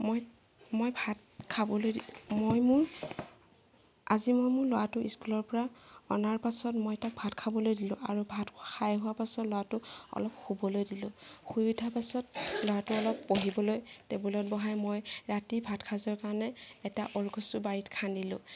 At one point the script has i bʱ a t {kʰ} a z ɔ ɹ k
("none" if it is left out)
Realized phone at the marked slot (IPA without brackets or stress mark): kʰ